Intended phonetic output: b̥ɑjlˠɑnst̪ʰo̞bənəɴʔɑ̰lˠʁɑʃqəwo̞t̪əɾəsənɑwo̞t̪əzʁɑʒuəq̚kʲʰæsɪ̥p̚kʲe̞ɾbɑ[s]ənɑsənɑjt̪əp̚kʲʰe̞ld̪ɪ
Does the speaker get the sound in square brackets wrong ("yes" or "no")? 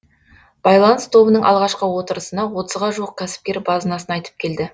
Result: yes